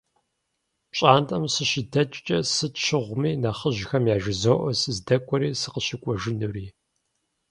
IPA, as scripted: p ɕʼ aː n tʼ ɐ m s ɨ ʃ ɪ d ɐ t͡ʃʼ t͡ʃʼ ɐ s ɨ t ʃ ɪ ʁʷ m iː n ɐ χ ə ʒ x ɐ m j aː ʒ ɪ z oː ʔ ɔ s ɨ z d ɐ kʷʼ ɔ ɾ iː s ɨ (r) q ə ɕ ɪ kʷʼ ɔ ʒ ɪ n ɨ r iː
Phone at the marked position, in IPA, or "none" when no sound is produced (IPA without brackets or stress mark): none